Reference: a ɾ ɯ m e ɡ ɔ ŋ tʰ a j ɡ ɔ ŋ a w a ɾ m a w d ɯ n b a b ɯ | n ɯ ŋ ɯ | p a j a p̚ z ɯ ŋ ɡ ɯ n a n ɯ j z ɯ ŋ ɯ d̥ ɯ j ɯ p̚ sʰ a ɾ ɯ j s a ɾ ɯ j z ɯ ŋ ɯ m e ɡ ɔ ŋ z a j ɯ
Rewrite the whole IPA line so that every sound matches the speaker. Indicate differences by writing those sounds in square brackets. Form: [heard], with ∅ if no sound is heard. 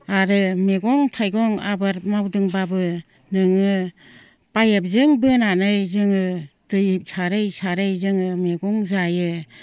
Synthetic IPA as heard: a ɾ ɯ m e ɡ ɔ ŋ tʰ a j ɡ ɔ ŋ a [b] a ɾ m a w d ɯ [ŋ] b a b ɯ | n ɯ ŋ ɯ | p a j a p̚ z ɯ ŋ [b] ɯ n a n ɯ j z ɯ ŋ ɯ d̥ ɯ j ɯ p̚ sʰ a ɾ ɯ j s a ɾ ɯ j z ɯ ŋ ɯ m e ɡ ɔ ŋ z a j ɯ